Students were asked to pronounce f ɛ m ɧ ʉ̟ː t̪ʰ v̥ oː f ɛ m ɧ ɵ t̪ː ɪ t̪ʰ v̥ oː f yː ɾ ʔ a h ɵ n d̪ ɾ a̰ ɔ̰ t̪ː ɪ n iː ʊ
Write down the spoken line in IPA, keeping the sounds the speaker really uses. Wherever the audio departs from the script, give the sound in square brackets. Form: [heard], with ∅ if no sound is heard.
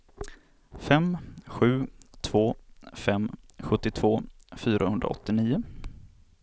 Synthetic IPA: f ɛ m ɧ ʉ̟ː t̪ʰ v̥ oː f ɛ m ɧ ɵ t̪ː ɪ t̪ʰ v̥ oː f yː ɾ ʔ a h ɵ n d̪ ɾ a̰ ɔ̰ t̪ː ɪ n iː ʊ